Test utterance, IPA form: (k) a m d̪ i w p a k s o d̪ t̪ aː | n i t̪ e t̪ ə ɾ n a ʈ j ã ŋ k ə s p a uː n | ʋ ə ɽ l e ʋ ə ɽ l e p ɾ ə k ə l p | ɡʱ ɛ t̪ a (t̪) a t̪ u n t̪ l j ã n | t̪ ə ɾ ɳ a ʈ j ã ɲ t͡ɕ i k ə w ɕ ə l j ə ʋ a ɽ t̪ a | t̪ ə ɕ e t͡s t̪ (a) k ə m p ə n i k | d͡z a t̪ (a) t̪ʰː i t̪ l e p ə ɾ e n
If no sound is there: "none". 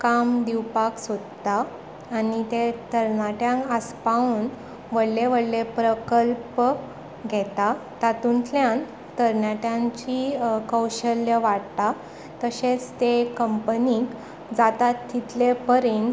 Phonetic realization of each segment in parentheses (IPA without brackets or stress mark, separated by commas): k, t̪, e, a